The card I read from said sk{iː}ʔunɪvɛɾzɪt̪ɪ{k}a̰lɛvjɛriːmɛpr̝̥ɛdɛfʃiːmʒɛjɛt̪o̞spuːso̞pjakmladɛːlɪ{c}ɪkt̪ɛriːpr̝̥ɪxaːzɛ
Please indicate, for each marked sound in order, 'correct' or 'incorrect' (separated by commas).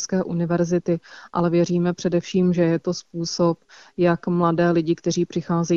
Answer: incorrect, incorrect, incorrect